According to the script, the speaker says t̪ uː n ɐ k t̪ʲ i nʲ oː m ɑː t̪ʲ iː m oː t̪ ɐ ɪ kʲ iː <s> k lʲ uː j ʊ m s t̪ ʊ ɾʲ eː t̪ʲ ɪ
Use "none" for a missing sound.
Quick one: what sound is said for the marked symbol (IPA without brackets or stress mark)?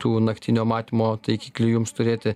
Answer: none